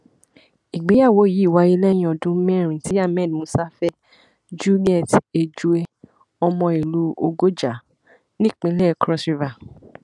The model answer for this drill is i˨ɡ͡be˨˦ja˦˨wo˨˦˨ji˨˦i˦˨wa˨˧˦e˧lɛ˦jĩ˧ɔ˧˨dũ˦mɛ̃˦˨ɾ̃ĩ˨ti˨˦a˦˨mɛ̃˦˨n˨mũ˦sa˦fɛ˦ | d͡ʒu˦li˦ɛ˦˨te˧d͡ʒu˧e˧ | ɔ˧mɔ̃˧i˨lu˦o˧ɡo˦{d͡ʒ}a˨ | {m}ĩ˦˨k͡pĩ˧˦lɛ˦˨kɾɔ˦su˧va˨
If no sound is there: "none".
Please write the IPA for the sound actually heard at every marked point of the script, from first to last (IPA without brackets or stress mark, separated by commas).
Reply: d͡ʒ, n